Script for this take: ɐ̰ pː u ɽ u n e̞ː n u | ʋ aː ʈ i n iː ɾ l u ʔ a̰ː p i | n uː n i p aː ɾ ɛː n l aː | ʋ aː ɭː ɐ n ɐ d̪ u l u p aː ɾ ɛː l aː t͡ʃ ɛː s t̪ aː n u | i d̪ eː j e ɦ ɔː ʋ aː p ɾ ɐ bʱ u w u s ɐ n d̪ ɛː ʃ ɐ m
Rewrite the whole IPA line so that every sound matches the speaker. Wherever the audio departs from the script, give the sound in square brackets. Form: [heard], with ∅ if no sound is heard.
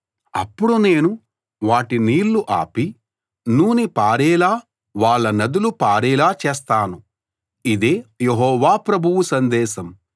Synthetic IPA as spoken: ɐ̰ pː u ɽ u n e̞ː n u | ʋ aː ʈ i n iː ɾ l u ʔ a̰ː p i | n uː n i p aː ɾ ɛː [∅] l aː | ʋ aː ɭː ɐ n ɐ d̪ u l u p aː ɾ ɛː l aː t͡ʃ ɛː s t̪ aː n u | i d̪ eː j e ɦ ɔː ʋ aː p ɾ ɐ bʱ u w u s ɐ n d̪ ɛː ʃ ɐ m